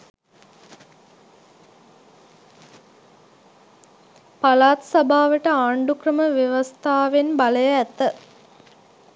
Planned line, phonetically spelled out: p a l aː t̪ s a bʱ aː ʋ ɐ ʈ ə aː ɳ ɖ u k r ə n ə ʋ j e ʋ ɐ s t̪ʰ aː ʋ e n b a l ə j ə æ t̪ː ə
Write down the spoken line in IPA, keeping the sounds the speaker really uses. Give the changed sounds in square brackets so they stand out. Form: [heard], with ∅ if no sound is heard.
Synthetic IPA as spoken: p a l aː t̪ s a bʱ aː ʋ [ə] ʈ ə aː ɳ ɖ u k r ə [m] ə ʋ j e ʋ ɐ s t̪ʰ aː ʋ e n b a l ə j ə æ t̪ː ə